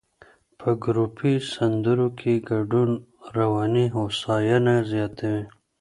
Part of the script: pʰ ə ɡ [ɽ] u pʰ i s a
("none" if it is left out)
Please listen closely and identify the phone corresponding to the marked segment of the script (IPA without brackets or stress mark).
ɾ